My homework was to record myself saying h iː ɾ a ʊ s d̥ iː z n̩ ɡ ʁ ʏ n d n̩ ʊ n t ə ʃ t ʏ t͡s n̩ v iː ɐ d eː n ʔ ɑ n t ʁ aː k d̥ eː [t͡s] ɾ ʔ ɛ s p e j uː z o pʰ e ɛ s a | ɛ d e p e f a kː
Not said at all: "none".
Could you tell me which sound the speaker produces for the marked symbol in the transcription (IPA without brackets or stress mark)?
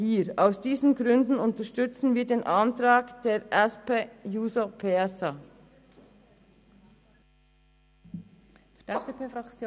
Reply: none